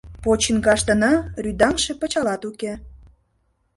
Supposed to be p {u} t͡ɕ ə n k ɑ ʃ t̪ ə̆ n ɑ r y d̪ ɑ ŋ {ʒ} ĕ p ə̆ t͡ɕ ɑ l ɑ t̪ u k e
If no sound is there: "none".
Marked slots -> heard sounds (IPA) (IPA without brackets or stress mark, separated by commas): o, ʃ